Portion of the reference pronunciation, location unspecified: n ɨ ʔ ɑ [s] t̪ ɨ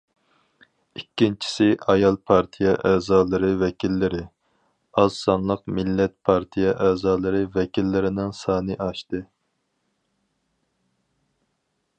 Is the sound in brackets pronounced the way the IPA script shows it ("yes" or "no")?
no